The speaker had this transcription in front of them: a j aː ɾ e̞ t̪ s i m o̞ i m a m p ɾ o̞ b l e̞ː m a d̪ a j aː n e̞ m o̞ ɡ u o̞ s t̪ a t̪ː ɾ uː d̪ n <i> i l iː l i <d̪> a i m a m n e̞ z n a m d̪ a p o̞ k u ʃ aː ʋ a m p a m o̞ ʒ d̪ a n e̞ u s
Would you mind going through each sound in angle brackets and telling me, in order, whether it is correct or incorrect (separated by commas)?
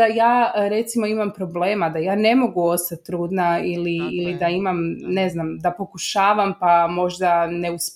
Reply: incorrect, correct